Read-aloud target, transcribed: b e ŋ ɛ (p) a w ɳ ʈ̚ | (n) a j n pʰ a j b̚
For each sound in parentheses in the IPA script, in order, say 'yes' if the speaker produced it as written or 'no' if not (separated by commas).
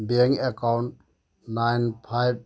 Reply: no, yes